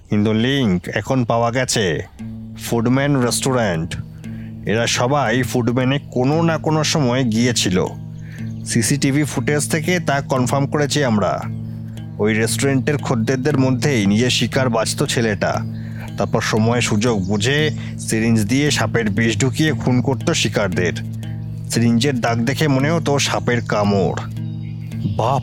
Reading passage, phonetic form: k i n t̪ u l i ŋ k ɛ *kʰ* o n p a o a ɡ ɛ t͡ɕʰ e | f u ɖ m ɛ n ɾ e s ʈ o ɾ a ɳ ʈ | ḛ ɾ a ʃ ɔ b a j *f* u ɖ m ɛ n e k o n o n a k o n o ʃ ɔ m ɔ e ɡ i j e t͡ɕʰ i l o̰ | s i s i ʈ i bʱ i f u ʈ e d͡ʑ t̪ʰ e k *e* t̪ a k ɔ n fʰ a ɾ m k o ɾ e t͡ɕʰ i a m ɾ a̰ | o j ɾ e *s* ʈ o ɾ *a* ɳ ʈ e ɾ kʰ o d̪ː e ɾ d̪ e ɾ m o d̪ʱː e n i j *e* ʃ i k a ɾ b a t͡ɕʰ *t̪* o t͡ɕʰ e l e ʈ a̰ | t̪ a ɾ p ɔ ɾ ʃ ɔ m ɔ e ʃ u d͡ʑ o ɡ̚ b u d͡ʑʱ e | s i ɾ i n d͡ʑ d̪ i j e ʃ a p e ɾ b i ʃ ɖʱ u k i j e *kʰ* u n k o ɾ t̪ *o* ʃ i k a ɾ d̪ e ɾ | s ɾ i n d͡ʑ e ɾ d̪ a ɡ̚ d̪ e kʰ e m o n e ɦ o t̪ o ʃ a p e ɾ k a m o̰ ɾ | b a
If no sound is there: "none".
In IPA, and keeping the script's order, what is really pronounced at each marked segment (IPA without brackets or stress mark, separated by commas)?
kʰ, f, e, s, e, e, t̪, kʰ, o